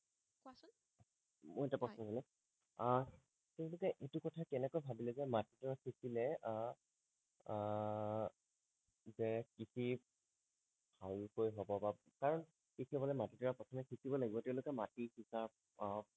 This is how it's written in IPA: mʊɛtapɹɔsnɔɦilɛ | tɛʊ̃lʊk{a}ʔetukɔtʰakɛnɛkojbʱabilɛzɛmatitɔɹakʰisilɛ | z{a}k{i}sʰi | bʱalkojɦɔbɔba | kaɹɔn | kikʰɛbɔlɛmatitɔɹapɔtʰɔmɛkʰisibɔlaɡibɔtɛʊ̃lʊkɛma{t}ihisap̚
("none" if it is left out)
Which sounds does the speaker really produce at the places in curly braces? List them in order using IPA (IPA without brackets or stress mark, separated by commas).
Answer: ɛ, ɛ, i, t